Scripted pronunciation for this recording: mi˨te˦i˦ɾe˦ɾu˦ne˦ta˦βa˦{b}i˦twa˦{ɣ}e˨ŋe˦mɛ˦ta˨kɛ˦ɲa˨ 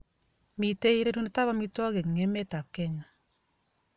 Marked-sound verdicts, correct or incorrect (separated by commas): incorrect, correct